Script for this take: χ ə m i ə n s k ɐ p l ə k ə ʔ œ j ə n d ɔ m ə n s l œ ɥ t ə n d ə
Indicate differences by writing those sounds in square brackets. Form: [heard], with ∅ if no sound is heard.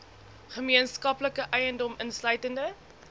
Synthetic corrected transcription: χ ə m i ə n s k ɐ p l ə k ə ʔ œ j ə n d ɔ m ə n s l œ ɥ t ə n d ə